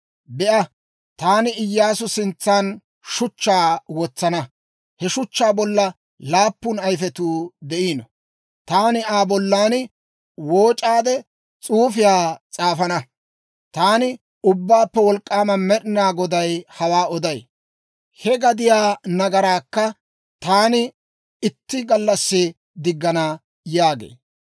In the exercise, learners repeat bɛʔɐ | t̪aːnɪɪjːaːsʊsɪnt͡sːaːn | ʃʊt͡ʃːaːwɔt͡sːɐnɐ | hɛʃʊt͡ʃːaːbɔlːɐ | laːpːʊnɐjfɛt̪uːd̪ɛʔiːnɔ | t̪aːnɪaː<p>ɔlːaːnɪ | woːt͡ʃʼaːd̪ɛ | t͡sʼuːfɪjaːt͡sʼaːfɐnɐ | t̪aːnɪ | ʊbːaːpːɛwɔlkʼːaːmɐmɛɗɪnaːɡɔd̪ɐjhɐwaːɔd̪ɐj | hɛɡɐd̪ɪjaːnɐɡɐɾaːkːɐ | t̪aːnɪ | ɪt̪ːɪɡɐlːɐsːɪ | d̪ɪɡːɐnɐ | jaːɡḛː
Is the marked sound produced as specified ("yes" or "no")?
no